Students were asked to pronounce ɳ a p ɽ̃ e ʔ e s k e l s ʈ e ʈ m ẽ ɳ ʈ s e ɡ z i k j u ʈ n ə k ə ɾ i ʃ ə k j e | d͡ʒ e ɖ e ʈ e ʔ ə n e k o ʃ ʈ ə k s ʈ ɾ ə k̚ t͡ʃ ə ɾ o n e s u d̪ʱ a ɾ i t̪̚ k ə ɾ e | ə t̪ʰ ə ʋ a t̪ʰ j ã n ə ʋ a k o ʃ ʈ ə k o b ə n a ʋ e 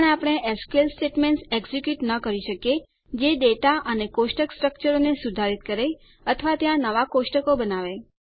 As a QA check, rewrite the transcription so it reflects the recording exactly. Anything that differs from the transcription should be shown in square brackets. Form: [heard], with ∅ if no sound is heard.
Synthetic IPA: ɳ a p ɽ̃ e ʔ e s k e l s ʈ e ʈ m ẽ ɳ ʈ s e ɡ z i k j u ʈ n ə k ə ɾ i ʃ ə k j e | d͡ʒ e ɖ e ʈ [a] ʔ ə n e k o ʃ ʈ ə k s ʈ ɾ ə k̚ t͡ʃ ə ɾ o n e s u d̪ʱ a ɾ i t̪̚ k ə ɾ e | ə t̪ʰ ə ʋ a [t̪] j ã n ə ʋ a k o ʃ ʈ ə k o b ə n a ʋ e